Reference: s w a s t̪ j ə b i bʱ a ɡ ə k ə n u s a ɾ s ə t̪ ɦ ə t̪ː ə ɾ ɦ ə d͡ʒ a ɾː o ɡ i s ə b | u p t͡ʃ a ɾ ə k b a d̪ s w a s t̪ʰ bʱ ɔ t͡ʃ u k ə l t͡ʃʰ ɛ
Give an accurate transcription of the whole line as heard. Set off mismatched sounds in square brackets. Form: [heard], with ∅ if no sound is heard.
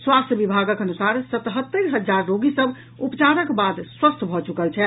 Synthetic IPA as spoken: s w a s t̪ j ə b i bʱ a ɡ ə k ə n u s a ɾ s ə t̪ ɦ ə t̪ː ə ɾ ɦ ə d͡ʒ a ɾː o ɡ i s ə b | u p t͡ʃ a ɾ ə k b a d̪ s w [ə] s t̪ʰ bʱ ɔ t͡ʃ u k ə l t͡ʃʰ ɛ

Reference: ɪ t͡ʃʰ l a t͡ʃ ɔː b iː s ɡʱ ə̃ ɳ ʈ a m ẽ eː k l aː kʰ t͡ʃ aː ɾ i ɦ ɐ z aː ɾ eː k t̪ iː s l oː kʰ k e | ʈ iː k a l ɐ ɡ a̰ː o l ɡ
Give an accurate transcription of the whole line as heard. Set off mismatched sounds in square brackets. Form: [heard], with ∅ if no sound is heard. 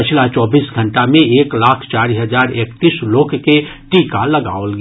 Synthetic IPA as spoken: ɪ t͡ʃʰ l a t͡ʃ ɔː b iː s ɡʱ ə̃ ɳ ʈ a m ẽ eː k l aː kʰ t͡ʃ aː ɾ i ɦ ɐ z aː ɾ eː k t̪ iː s l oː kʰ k e | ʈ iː k a l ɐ ɡ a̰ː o l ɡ

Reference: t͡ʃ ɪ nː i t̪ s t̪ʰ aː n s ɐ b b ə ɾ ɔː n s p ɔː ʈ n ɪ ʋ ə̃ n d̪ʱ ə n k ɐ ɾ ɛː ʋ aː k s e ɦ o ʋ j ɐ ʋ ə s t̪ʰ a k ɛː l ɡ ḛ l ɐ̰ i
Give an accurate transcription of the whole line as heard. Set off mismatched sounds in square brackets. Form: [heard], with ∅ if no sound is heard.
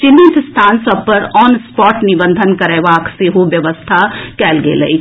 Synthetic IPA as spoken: t͡ʃ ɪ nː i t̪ s t̪ʰ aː n s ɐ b [p] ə ɾ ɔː n s p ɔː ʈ n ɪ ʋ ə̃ n d̪ʱ ə n k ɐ ɾ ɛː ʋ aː k s e ɦ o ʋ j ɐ ʋ ə s t̪ʰ a k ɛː l ɡ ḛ l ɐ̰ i

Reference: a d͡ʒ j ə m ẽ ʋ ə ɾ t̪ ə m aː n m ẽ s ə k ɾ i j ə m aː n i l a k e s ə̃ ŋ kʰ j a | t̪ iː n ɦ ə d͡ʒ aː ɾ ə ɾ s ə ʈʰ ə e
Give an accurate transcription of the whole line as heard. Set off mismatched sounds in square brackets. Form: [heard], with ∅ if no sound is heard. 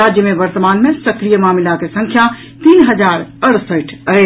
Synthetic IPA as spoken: a d͡ʒ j ə m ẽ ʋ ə ɾ t̪ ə m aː n m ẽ s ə k ɾ i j ə m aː [m] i l a k e s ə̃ ŋ kʰ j a | t̪ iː n ɦ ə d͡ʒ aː ɾ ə ɾ s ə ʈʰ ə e

